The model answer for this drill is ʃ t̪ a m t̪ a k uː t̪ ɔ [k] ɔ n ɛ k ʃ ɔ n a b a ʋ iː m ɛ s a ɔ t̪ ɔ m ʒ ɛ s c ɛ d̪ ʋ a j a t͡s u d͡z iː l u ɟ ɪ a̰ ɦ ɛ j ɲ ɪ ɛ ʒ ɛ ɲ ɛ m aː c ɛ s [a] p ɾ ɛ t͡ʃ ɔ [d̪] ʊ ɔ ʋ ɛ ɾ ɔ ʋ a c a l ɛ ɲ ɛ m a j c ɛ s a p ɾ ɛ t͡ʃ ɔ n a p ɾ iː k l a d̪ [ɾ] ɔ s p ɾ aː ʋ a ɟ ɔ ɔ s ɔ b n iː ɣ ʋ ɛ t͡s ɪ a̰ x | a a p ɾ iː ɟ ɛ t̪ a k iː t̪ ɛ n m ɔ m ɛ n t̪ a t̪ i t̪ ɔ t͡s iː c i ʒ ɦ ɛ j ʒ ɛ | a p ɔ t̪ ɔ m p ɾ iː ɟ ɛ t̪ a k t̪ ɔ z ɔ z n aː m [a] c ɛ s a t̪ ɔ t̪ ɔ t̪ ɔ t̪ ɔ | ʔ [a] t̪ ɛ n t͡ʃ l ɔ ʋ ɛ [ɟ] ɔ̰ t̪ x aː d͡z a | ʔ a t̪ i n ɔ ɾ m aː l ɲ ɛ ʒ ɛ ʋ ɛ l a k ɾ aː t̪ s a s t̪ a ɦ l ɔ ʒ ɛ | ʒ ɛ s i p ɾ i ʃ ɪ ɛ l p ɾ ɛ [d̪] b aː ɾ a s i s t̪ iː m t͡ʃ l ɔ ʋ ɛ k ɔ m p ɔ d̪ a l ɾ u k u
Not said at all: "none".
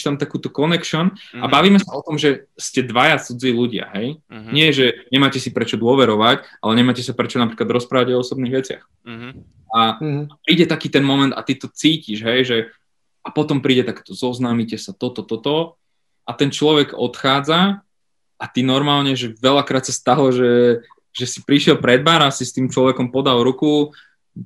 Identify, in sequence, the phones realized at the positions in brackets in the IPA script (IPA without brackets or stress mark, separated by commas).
k, i, d̪, ɾ, i, a, ɡ, d̪